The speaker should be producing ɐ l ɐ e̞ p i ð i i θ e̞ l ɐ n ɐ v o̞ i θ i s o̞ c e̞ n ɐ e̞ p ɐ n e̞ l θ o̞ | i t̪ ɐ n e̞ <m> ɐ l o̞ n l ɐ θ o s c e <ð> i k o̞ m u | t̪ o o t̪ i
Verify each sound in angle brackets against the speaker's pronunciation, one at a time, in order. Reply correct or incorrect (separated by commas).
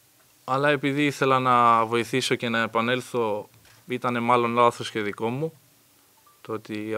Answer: correct, correct